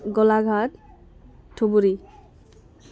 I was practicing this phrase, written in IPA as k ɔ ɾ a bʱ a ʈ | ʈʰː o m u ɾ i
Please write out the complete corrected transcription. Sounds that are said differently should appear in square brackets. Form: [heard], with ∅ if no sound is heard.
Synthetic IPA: [ɡ] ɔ [l] a [ɡʱ] a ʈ | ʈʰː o [b] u ɾ i